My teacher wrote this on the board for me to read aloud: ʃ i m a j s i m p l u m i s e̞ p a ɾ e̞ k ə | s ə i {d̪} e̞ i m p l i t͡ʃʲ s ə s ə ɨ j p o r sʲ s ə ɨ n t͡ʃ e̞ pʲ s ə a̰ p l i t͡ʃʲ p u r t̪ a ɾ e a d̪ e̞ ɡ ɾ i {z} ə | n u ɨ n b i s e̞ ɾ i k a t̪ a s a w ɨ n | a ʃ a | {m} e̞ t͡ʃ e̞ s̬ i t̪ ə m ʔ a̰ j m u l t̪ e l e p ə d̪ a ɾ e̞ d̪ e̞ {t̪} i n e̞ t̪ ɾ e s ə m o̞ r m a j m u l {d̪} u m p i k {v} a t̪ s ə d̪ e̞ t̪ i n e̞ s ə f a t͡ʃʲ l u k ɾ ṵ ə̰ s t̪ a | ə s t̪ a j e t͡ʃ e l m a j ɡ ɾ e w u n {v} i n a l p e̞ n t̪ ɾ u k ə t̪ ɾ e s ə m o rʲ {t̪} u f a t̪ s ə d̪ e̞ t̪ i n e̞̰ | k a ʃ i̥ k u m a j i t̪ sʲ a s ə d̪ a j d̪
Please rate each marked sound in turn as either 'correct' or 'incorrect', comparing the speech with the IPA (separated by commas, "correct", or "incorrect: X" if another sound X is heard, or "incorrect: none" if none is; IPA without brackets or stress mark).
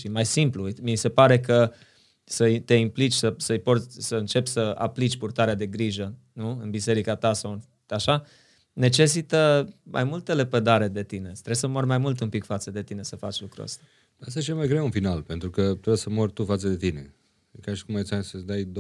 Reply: incorrect: t̪, incorrect: ʒ, incorrect: n, correct, incorrect: t̪, incorrect: f, incorrect: f, correct